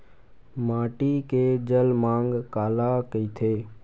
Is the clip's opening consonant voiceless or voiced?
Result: voiced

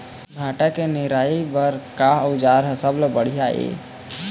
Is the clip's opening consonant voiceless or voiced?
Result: voiced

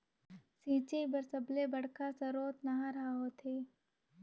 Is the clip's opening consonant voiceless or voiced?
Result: voiceless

